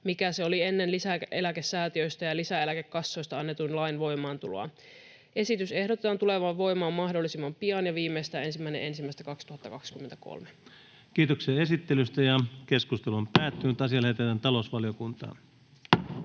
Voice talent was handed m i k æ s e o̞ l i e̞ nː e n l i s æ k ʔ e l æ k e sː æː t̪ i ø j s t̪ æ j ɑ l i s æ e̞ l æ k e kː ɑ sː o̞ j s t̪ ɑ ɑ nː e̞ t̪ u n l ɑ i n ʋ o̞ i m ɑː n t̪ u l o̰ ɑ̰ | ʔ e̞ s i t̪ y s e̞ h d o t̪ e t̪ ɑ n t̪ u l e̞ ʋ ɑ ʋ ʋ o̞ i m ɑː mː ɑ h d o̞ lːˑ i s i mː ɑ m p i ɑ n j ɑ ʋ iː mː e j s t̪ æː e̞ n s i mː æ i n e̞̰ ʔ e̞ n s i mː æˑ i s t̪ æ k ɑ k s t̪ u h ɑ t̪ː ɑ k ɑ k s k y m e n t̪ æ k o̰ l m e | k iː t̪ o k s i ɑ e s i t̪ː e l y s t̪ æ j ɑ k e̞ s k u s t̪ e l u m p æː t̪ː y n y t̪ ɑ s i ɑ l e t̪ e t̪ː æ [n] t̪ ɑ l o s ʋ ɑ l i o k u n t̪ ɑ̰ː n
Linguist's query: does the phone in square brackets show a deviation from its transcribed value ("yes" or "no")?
no